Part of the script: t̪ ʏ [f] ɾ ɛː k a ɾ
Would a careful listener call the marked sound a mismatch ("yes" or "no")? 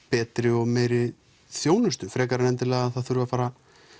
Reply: no